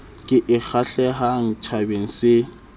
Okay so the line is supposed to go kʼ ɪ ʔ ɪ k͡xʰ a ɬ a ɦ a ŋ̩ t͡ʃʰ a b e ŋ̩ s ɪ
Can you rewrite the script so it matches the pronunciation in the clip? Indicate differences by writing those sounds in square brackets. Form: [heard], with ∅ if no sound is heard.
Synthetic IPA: kʼ ɪ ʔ ɪ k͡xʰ a ɬ [ɛ] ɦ a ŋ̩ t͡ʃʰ a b e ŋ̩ s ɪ